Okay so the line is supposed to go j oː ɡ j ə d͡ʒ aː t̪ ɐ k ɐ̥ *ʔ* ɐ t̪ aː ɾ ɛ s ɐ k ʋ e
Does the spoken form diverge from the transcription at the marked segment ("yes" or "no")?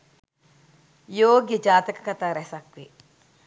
yes